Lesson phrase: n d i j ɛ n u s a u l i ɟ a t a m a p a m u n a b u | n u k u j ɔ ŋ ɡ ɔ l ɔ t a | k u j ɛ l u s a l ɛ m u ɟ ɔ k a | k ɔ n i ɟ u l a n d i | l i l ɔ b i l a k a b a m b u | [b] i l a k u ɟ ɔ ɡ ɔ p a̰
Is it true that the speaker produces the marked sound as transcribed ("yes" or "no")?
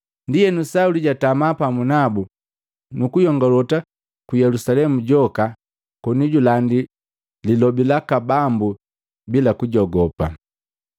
yes